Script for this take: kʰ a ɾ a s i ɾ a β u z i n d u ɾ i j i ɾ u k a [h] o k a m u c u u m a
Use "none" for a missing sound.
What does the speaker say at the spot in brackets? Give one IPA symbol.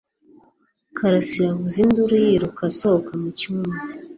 s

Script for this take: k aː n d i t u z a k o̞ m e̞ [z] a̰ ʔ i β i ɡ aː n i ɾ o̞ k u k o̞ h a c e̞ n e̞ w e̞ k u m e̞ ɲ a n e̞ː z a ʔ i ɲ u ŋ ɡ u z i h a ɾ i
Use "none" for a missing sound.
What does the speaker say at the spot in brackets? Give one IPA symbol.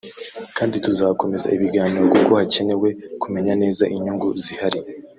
z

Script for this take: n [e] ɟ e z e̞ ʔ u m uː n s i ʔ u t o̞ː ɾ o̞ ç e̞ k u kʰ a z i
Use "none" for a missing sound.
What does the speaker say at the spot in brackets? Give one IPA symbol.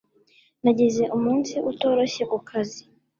a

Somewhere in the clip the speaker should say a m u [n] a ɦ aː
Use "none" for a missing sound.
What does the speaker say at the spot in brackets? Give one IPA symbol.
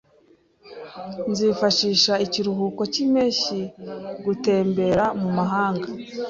m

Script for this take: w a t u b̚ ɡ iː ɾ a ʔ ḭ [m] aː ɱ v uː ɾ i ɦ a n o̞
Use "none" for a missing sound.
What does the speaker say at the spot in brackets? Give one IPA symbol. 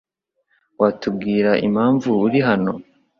m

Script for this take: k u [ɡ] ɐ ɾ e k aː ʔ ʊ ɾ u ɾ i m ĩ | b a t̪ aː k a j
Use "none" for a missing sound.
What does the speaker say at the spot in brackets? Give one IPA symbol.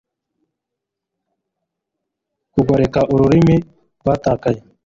ɡ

